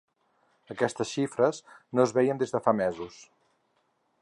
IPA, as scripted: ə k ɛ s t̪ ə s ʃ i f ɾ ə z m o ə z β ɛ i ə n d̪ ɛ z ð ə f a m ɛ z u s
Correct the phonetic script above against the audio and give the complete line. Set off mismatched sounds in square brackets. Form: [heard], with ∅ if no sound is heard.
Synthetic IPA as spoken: ə k ɛ s t̪ ə s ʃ i f ɾ ə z [n] o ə z β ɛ [j] ə n d̪ [e] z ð ə f a m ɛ z u s